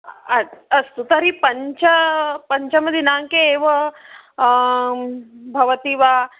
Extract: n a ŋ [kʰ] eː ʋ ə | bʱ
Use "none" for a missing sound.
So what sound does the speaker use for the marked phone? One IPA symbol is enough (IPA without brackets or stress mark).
k